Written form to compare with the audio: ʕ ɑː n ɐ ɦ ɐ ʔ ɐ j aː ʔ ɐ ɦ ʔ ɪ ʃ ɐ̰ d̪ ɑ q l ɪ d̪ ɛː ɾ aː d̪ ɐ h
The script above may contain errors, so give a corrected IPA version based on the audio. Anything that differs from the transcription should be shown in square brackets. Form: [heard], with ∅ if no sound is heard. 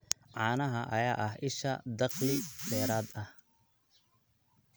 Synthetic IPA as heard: ʕ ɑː n ɐ ɦ ɐ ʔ ɐ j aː ʔ ɐ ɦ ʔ ɪ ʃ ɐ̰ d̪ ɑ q l ɪ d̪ ɛː ɾ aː d̪ ɐ h